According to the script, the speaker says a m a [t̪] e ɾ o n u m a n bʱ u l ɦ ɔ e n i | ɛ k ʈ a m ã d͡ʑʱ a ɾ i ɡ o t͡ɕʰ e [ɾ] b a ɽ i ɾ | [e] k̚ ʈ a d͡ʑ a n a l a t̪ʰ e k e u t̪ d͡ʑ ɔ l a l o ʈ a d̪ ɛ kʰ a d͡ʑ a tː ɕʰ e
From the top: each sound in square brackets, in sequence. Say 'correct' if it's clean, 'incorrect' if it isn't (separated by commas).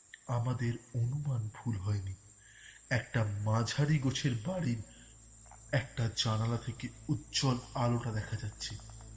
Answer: incorrect, correct, incorrect